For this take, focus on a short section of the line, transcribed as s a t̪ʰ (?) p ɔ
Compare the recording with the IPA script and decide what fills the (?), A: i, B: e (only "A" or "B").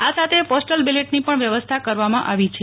B